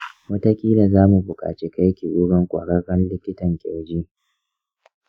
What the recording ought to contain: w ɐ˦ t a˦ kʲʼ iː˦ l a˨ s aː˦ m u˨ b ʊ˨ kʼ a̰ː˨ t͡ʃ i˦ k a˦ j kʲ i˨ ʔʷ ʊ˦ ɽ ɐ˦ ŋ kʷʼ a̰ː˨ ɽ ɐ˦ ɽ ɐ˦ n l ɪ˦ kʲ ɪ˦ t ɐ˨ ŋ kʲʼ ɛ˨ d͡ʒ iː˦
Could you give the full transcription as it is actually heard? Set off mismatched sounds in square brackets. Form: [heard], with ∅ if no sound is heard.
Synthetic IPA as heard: w ɐ˦ t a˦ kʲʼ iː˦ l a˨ [z] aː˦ m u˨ b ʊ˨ kʼ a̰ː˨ t͡ʃ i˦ k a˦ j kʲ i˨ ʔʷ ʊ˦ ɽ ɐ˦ ŋ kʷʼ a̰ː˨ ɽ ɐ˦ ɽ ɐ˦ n l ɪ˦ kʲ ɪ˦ t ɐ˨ ŋ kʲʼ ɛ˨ d͡ʒ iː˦